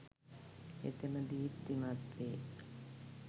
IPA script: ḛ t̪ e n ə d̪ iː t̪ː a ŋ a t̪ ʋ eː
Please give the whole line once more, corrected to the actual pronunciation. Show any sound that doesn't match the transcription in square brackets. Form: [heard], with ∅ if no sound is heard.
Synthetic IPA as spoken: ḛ t̪ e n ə d̪ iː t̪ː [i] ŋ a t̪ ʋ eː